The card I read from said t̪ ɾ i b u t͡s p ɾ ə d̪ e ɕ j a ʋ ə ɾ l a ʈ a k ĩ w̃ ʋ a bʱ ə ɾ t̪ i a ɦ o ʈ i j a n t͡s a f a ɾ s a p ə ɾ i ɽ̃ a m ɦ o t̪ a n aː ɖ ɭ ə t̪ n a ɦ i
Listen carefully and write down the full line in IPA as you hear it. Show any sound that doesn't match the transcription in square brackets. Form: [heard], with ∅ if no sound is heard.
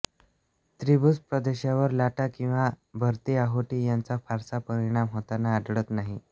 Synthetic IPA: t̪ ɾ i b u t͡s p ɾ ə d̪ e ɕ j a ʋ ə ɾ l a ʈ a k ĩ w̃ ʋ a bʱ ə ɾ t̪ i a ɦ o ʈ i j a n t͡s a f a ɾ s a p ə ɾ i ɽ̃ a m ɦ o t̪ a n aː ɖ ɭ ə t̪ n a ɦ i